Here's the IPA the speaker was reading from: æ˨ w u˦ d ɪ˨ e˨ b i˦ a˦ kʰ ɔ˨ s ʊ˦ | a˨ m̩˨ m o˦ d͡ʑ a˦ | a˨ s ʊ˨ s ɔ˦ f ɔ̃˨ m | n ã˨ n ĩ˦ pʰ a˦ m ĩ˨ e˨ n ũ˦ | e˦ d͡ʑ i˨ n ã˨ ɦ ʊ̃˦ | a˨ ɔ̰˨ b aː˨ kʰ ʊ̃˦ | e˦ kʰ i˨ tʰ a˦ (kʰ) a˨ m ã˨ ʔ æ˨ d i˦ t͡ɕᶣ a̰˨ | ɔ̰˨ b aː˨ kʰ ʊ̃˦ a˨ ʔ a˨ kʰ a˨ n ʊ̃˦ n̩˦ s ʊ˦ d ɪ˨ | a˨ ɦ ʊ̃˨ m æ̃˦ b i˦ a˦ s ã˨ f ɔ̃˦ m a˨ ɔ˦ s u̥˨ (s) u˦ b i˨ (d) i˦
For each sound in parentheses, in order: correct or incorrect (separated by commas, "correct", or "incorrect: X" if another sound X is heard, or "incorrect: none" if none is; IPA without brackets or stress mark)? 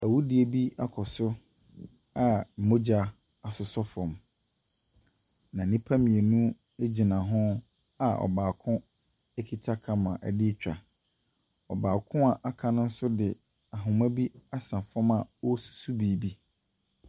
correct, correct, incorrect: b